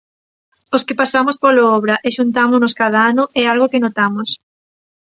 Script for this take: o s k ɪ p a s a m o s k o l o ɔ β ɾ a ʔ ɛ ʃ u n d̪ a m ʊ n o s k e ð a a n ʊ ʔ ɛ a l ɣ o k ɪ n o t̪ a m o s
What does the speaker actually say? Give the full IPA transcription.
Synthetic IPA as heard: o s k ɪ p a s a m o s p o l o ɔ β ɾ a ʔ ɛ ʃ u n t̪ a m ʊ n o s k a ð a a n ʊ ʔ ɛ a l ɣ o k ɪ n o t̪ a m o s